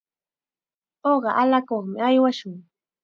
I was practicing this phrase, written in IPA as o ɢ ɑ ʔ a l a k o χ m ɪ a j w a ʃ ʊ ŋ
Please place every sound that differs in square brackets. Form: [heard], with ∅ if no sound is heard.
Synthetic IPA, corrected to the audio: o ɢ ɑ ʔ a l a k o χ m ɪ a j w a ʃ ʊ ŋ